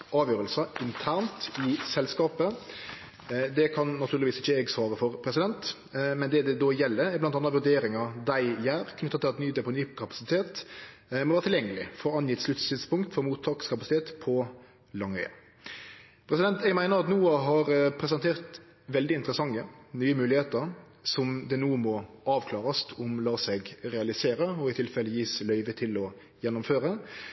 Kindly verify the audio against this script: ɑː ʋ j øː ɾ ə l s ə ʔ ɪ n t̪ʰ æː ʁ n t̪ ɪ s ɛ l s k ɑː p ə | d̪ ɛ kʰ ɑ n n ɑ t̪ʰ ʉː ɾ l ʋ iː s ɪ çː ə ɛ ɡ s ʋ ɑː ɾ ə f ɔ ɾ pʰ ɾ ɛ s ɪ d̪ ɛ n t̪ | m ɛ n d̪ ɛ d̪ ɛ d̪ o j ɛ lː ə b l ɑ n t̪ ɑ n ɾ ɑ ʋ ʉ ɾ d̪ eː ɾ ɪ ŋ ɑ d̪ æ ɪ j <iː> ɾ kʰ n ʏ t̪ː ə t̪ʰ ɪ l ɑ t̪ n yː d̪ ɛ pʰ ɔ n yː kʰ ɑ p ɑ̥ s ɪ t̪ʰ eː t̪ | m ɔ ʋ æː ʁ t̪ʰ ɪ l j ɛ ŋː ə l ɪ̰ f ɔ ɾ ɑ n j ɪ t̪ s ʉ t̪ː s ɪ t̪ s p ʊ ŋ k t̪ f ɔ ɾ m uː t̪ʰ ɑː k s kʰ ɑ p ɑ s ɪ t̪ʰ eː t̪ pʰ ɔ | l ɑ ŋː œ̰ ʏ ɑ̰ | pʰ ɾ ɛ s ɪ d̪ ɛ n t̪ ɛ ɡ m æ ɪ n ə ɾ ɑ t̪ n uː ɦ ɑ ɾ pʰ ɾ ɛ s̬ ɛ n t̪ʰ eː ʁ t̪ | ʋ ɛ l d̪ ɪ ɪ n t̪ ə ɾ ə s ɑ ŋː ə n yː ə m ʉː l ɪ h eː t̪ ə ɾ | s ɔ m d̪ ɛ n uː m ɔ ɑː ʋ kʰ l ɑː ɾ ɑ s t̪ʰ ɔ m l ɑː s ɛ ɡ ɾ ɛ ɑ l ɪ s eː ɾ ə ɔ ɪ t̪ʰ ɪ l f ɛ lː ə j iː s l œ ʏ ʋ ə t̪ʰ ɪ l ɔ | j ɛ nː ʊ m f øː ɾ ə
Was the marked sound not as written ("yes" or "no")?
yes